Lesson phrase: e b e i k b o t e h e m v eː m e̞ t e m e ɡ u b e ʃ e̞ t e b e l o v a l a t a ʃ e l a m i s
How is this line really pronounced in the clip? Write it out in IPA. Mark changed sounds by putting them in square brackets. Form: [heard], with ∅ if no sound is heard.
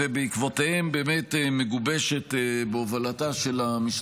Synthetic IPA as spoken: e b e i k [v] o t e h e m [b] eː m e̞ t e m e ɡ u b e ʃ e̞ t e b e [∅] o v a l a t a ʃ e l a m i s